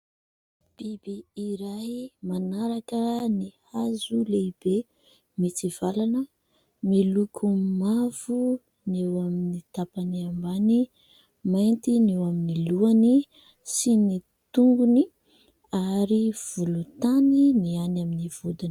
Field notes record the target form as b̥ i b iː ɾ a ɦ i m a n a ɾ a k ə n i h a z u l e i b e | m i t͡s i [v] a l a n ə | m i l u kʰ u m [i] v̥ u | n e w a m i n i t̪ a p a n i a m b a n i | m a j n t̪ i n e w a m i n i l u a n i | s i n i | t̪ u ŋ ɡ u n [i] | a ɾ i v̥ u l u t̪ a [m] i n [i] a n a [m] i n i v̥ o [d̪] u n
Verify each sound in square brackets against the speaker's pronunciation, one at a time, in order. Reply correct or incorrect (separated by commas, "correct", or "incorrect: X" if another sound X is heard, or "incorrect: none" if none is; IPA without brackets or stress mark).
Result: correct, incorrect: a, correct, incorrect: n, correct, correct, correct